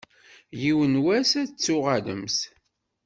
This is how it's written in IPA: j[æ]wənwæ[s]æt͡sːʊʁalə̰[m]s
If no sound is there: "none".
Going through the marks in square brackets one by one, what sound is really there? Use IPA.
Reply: i, s, m

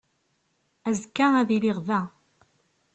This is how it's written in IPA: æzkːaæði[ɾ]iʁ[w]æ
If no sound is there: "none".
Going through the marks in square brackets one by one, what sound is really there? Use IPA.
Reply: l, v

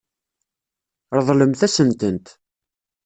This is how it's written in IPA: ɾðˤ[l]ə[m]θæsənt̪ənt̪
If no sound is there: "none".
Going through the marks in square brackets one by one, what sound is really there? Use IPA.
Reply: l, m

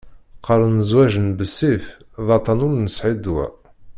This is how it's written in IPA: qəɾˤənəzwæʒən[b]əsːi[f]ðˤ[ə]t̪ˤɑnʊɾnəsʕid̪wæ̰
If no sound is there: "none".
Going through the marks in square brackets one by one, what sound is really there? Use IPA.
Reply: b, f, ɑ

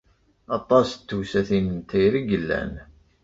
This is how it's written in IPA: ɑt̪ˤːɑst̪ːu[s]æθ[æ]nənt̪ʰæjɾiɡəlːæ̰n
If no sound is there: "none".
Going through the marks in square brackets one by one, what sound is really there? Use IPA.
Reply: s, i

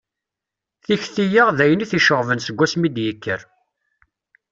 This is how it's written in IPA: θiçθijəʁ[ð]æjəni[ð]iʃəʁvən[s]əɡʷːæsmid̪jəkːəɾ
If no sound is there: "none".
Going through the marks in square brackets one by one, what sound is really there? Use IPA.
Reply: ð, θ, s

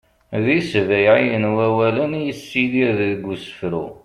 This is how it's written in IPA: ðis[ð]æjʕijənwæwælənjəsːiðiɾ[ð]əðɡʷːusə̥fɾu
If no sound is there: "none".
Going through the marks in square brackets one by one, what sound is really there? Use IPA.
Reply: v, ð

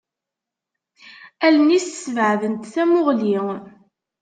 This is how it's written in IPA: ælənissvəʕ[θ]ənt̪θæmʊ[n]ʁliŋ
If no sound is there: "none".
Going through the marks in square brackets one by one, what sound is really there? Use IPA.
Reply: ð, none

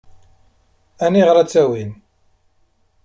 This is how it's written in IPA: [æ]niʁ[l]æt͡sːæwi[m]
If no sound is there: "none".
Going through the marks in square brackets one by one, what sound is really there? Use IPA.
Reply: æ, ɾ, n

